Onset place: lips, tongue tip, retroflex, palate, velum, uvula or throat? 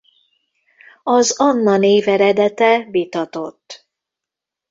tongue tip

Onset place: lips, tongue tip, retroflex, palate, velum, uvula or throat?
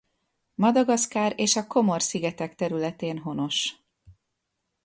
lips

